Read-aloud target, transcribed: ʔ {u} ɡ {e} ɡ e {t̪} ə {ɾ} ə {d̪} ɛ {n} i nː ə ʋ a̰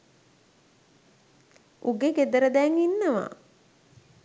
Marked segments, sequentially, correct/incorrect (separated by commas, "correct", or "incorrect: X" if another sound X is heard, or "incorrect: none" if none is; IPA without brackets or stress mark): correct, correct, incorrect: d̪, correct, correct, incorrect: ŋ